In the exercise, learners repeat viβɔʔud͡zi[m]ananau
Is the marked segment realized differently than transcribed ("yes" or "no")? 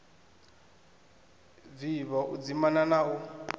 no